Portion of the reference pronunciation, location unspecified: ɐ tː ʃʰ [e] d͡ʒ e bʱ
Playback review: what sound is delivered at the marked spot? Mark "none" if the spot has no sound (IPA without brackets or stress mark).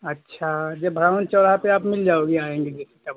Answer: a